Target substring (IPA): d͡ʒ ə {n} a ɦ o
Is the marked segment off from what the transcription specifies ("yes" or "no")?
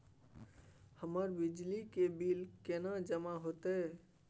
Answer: yes